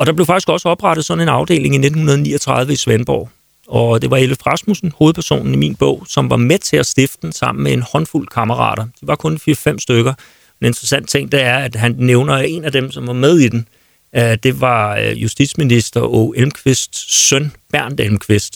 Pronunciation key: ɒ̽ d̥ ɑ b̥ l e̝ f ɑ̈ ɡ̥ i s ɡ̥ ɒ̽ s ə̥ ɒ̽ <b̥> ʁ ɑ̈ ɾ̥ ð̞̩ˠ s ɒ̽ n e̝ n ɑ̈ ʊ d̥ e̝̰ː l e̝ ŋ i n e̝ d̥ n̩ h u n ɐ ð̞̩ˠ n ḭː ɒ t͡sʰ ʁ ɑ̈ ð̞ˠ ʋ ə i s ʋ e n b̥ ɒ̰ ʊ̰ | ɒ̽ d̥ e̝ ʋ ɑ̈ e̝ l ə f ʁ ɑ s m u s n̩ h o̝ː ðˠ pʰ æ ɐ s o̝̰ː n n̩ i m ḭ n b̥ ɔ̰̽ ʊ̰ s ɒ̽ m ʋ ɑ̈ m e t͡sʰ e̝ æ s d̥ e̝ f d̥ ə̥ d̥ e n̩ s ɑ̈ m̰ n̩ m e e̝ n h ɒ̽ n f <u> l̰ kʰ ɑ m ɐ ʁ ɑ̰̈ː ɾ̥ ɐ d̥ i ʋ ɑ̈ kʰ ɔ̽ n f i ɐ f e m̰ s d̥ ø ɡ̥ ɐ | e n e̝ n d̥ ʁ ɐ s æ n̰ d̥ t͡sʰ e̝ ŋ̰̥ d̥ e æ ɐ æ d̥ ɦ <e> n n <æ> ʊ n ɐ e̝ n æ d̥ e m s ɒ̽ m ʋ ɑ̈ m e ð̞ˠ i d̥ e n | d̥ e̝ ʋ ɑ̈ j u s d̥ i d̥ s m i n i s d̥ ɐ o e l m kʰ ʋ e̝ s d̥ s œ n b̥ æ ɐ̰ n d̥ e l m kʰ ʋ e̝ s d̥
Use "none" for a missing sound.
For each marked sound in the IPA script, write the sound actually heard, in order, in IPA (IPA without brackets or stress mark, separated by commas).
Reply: b̥, u, æ, e